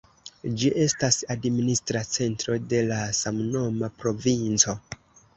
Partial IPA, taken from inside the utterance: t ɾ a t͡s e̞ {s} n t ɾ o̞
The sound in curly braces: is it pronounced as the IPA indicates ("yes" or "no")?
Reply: no